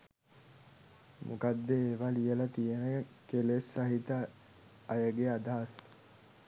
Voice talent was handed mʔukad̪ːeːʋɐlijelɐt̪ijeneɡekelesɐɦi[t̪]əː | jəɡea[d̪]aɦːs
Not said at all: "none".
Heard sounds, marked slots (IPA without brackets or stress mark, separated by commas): t̪, d̪